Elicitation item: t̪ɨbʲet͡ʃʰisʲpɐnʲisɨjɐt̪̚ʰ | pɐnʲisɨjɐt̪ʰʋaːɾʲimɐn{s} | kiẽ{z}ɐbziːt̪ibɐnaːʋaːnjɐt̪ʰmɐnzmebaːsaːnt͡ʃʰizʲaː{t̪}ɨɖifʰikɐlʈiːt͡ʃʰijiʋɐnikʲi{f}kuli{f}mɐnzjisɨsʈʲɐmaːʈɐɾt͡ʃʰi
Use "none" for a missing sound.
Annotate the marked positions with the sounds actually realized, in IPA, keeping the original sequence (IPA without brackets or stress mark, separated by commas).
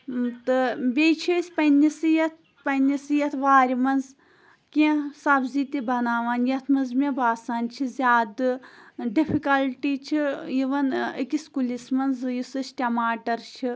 z, s, d̪, s, s